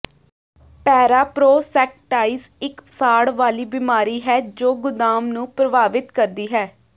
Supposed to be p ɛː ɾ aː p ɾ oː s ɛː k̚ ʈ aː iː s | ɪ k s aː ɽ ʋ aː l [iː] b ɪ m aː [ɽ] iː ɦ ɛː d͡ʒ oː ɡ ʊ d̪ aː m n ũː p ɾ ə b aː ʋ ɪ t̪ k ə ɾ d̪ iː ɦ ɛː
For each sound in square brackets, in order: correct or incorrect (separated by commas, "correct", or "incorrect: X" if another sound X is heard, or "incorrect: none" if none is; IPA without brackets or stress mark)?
correct, incorrect: ɾ